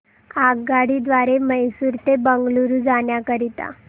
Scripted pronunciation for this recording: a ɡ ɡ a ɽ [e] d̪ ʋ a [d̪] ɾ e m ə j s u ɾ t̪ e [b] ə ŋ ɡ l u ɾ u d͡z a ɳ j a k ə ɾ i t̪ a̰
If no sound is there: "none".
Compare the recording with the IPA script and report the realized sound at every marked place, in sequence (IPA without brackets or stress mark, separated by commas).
i, none, b